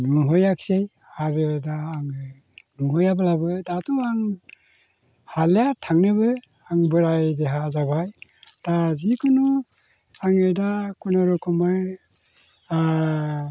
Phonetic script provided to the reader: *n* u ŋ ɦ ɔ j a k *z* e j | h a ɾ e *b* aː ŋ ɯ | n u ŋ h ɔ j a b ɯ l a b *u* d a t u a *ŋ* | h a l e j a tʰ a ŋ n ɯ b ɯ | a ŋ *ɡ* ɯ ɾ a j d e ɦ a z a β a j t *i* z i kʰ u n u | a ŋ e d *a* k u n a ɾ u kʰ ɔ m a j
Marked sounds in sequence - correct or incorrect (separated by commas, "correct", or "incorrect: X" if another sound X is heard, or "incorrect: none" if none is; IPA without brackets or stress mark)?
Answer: correct, incorrect: s, incorrect: d, incorrect: ɯ, correct, incorrect: b, incorrect: a, correct